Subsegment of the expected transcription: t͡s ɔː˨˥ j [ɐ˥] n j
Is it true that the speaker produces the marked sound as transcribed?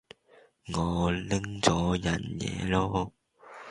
no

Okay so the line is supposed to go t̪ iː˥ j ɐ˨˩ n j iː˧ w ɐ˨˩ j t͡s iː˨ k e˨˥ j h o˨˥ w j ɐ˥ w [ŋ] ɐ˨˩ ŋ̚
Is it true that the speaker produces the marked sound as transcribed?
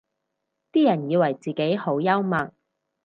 no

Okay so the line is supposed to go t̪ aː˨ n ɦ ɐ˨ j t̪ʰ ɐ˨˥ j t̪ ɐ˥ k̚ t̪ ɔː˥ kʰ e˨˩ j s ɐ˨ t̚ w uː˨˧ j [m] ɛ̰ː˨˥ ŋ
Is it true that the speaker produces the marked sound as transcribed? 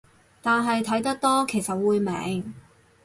yes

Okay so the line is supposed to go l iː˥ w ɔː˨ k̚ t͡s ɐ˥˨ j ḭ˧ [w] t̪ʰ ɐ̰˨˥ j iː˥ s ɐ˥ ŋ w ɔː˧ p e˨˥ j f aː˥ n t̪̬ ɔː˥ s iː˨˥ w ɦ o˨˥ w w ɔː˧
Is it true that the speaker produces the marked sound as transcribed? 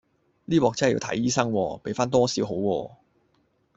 yes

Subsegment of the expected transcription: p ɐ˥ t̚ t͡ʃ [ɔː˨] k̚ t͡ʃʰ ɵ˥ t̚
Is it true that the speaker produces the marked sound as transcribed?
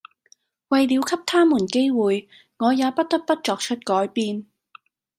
yes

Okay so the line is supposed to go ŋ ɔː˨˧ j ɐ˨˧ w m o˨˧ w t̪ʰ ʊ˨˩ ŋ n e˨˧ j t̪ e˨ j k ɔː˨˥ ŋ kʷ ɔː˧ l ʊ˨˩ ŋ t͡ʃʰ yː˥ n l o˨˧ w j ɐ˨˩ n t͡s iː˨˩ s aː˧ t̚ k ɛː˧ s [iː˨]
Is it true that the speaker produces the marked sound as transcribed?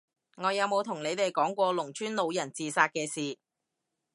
yes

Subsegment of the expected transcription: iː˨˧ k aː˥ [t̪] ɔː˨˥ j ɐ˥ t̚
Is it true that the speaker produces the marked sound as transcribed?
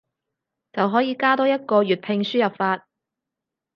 yes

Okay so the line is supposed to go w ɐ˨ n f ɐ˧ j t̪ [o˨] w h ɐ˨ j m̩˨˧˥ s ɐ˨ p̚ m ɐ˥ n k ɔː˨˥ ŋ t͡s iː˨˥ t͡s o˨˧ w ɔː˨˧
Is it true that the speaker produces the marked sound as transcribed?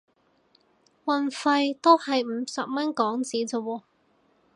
no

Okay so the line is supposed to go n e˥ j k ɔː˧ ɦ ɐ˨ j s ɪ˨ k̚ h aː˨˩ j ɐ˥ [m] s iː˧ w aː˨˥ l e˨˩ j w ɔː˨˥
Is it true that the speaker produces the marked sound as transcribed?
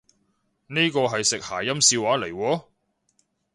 yes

